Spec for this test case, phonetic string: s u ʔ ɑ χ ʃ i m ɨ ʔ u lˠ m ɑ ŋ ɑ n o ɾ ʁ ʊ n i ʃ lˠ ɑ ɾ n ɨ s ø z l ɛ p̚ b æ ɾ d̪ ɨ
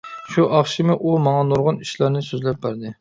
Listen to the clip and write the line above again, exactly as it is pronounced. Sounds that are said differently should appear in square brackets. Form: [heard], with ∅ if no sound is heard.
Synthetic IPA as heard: [ʃ] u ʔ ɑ χ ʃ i m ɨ ʔ u [∅] m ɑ ŋ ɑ n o ɾ ʁ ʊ n i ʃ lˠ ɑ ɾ n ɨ s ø z l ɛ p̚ b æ ɾ d̪ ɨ